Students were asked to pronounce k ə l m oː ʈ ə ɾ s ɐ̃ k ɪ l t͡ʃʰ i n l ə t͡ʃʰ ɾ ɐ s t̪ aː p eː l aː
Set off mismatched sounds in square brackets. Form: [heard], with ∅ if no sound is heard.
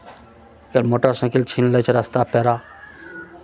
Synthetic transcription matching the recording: k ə l m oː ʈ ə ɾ s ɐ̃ k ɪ l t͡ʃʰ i n l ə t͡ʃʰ ɾ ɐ s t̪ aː p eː [ɾ] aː